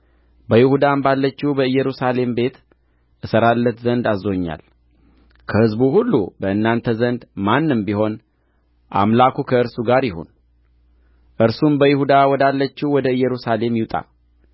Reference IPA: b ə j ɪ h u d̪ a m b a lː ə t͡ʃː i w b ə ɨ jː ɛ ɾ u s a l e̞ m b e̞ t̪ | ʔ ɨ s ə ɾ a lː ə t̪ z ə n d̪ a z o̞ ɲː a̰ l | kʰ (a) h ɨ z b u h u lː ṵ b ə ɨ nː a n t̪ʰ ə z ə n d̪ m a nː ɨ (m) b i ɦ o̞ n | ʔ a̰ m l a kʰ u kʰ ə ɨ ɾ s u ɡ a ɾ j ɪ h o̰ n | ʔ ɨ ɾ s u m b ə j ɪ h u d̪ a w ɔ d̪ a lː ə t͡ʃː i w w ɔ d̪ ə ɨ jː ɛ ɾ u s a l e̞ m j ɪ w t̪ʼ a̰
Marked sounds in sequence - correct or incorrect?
incorrect: ə, correct

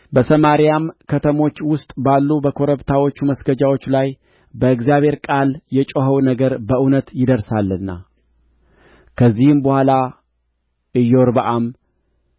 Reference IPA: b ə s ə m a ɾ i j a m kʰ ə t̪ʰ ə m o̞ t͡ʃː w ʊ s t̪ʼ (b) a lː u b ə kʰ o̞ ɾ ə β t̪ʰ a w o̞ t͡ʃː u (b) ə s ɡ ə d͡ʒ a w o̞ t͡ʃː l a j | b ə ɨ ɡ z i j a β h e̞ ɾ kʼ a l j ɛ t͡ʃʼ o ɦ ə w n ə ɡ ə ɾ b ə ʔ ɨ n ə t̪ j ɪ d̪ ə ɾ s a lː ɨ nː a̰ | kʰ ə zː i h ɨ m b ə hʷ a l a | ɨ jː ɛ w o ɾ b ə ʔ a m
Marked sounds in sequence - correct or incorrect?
correct, incorrect: m

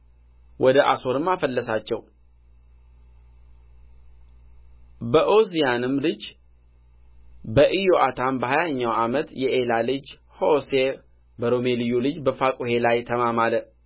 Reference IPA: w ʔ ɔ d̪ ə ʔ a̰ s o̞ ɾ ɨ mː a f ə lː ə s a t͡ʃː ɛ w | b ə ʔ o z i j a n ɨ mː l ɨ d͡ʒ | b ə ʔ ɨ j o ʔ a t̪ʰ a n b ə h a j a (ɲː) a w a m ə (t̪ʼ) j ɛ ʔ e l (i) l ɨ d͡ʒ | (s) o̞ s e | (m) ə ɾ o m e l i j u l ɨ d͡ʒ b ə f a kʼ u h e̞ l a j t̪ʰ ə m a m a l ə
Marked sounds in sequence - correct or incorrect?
correct, incorrect: t̪, incorrect: a, incorrect: h, incorrect: b

